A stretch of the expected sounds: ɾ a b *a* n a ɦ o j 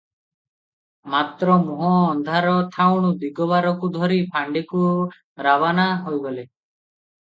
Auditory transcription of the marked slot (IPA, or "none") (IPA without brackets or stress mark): a